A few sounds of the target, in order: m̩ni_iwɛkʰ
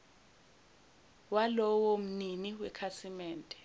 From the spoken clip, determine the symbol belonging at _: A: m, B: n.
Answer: B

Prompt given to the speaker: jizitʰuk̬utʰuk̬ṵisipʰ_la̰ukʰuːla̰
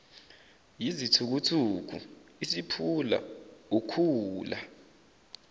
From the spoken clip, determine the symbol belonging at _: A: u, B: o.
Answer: A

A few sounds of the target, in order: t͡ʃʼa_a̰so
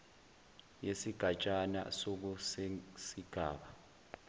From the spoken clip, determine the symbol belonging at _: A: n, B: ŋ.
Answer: A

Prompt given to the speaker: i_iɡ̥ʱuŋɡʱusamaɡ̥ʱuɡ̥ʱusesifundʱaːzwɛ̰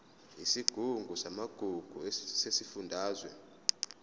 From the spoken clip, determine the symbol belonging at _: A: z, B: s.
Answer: B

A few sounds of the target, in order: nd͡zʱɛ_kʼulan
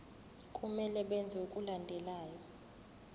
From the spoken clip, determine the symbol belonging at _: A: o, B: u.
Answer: B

